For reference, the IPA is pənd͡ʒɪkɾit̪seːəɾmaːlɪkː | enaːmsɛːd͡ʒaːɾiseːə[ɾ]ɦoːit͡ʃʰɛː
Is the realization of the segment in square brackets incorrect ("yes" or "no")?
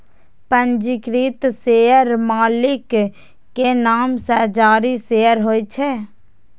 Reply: no